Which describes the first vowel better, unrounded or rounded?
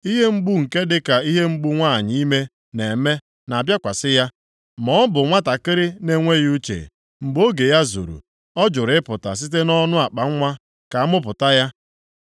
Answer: unrounded